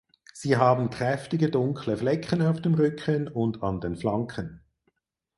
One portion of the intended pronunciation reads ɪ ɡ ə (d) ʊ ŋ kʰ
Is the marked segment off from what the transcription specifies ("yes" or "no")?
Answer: no